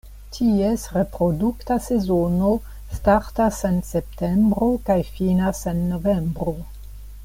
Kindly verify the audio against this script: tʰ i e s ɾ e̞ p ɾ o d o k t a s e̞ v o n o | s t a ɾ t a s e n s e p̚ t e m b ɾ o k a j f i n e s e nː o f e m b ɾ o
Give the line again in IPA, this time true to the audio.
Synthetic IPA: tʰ i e s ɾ e̞ p ɾ o d u k t a s e̞ z o n o | s t a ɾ t a s e n s e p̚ t e m b ɾ o k a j f i n a s e nː o v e m b ɾ o